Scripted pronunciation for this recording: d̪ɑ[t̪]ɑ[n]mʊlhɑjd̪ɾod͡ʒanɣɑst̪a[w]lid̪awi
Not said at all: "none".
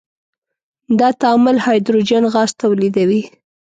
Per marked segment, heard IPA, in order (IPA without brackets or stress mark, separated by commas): t̪, none, w